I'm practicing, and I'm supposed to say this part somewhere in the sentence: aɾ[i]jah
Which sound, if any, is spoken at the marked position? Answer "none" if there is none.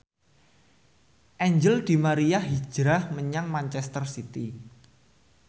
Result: i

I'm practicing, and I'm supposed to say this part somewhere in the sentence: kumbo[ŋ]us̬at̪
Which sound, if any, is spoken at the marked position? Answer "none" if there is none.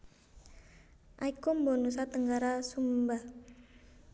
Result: n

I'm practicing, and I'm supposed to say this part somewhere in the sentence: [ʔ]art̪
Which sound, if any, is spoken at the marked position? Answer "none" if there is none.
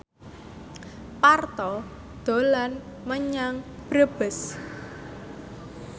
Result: p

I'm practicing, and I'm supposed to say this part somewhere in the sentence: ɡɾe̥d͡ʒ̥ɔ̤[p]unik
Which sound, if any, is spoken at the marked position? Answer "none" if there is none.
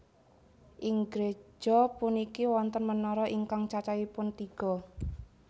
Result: p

